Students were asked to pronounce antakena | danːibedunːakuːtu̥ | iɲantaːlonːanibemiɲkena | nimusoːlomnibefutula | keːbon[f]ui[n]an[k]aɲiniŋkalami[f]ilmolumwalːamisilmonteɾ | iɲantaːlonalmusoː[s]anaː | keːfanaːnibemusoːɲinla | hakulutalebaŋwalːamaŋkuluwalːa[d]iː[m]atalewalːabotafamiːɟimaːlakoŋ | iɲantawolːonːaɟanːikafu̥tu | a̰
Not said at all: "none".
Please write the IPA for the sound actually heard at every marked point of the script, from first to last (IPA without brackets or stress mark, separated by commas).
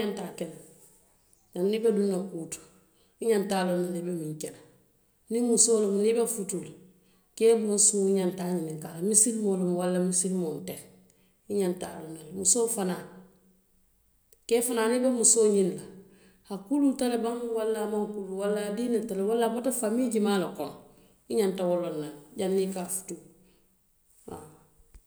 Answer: s, ɲ, t, s, f, d, n